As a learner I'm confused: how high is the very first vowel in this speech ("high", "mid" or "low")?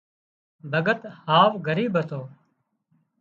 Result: mid